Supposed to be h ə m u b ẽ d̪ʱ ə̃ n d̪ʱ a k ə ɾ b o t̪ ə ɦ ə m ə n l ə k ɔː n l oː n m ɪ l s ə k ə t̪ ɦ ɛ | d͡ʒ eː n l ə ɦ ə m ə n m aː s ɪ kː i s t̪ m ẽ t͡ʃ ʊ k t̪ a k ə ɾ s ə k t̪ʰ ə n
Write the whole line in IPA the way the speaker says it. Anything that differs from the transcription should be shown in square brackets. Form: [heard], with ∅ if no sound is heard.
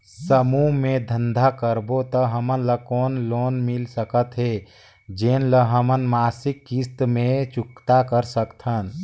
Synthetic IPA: [s] ə m u [m] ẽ d̪ʱ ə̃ n d̪ʱ a k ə ɾ b o t̪ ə ɦ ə m ə n l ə k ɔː n l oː n m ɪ l s ə k ə t̪ ɦ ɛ | d͡ʒ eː n l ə ɦ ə m ə n m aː s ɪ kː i s t̪ m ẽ t͡ʃ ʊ k t̪ a k ə ɾ s ə k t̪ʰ ə n